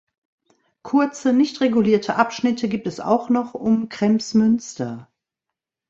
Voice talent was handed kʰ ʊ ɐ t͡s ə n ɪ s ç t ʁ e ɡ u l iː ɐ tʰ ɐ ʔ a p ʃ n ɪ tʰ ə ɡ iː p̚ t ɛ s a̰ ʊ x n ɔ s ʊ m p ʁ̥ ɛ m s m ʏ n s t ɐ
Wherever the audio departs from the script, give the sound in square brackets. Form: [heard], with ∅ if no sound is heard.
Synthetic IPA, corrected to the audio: kʰ ʊ ɐ t͡s ə n ɪ [∅] ç t ʁ e ɡ u l iː ɐ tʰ [ə] ʔ a p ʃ n ɪ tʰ ə ɡ iː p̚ t ɛ s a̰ ʊ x n ɔ [χ] ʊ m [k] ʁ̥ ɛ m s m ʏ n s t ɐ